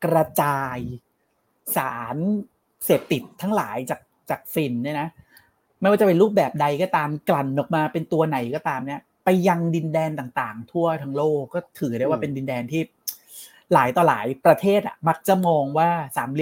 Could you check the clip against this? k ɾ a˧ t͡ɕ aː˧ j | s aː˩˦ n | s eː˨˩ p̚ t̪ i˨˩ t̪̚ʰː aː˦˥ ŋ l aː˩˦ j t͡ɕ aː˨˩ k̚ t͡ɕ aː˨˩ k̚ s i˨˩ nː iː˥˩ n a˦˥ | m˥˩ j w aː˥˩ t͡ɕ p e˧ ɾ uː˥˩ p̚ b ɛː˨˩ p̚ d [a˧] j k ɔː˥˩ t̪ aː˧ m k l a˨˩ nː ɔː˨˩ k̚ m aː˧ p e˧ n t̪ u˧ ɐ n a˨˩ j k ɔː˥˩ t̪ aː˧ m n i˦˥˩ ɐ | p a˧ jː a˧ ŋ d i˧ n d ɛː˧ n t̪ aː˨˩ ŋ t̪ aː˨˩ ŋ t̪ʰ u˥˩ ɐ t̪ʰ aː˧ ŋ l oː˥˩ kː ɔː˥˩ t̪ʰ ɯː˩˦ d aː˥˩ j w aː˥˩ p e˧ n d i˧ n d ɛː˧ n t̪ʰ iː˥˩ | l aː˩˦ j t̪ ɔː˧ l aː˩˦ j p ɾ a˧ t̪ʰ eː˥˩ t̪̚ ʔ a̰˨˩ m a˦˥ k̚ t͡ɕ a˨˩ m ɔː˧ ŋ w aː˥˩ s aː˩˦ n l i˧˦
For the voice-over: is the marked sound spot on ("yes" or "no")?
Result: yes